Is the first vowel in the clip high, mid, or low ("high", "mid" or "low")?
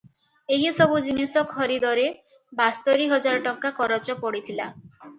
mid